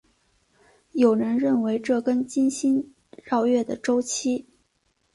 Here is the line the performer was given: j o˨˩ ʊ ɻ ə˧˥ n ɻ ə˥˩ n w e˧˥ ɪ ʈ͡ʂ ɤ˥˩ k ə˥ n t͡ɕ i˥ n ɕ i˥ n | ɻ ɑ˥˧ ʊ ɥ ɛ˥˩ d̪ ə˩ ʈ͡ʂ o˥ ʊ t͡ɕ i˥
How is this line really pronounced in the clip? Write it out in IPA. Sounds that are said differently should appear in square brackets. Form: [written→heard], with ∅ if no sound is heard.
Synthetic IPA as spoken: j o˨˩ ʊ ɻ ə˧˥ n ɻ ə˥˩ n w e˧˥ ɪ ʈ͡ʂ ɤ˥˩ k ə˥ n t͡ɕ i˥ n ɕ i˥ n | ɻ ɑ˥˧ ʊ ɥ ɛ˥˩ d̪ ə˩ ʈ͡ʂ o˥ ʊ [t͡ɕ→t͡ɕʰ] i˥